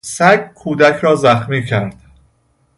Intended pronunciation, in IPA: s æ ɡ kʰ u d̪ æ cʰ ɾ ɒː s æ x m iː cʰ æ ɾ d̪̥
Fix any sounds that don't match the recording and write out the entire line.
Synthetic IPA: s æ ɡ kʰ uː d̪ æ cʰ ɾ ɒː z æ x m iː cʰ æ ɾ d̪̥